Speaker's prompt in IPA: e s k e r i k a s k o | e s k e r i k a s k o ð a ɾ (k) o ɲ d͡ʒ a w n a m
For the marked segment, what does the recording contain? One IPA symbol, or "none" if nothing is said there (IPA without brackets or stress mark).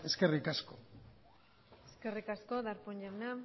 p